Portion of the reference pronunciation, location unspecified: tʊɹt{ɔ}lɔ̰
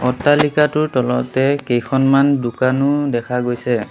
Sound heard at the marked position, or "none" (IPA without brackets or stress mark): ɔ